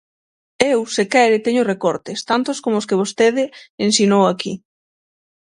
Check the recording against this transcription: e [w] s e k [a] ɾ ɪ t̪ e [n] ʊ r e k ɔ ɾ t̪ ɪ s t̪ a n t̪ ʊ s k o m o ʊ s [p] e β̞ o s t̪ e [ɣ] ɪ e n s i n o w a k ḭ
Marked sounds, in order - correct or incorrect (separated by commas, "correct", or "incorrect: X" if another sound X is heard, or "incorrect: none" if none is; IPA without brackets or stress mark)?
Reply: correct, incorrect: ɛ, incorrect: ɲ, incorrect: k, incorrect: ð